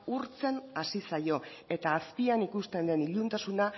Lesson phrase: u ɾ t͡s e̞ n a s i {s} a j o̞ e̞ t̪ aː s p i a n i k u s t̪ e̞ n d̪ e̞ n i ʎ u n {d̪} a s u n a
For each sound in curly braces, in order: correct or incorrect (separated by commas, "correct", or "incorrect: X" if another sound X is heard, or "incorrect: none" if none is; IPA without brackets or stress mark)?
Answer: correct, incorrect: t̪